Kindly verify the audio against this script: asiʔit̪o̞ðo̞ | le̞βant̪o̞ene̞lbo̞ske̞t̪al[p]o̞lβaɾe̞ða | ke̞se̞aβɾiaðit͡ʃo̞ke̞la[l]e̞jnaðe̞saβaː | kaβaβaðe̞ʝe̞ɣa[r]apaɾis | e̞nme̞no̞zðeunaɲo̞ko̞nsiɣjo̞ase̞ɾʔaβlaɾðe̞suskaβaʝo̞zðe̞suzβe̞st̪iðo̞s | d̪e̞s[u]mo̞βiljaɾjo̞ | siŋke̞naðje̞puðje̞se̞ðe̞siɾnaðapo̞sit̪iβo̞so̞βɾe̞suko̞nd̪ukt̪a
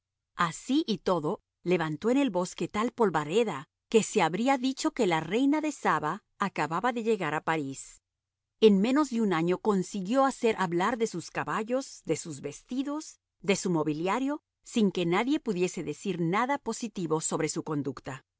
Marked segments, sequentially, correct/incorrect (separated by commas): correct, incorrect, incorrect, correct